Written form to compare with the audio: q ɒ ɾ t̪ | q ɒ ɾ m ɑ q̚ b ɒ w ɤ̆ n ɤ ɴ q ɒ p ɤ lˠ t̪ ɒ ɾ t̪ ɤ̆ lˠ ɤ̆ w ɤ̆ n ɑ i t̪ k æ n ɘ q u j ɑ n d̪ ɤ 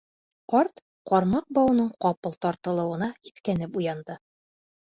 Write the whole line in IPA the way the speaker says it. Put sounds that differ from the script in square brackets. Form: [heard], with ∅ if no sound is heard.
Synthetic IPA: q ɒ ɾ t̪ | q ɒ ɾ m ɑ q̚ b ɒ w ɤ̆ n ɤ ɴ q ɒ p ɤ lˠ t̪ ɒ ɾ t̪ ɤ̆ lˠ ɤ̆ w ɤ̆ n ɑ i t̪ k æ n ɘ [p] u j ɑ n d̪ ɤ